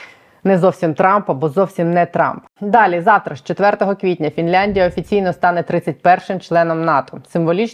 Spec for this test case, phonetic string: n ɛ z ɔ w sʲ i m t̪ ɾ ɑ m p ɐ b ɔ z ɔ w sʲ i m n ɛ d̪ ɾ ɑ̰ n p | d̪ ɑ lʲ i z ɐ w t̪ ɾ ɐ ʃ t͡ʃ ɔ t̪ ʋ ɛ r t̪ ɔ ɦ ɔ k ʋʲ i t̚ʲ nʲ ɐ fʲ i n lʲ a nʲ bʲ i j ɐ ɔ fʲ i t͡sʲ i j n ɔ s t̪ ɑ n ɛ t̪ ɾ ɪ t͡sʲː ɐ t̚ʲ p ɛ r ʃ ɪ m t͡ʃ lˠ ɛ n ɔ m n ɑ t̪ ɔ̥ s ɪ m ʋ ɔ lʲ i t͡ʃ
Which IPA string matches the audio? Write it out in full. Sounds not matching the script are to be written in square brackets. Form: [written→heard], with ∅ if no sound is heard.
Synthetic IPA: n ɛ z ɔ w sʲ i m t̪ ɾ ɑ m p ɐ b ɔ z ɔ w sʲ i m n ɛ [d̪→t̪] ɾ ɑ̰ [n→m] p | d̪ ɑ lʲ i z [ɐ→ɑ] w t̪ ɾ ɐ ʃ t͡ʃ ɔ t̪ ʋ ɛ r t̪ ɔ ɦ ɔ k ʋʲ i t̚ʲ nʲ ɐ fʲ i n lʲ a nʲ [bʲ→dʲ] i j ɐ ɔ fʲ i t͡sʲ i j n ɔ s t̪ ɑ n ɛ t̪ ɾ ɪ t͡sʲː ɐ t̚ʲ p ɛ r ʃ ɪ m t͡ʃ lˠ ɛ n ɔ m n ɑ t̪ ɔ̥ s ɪ m ʋ ɔ lʲ i t͡ʃ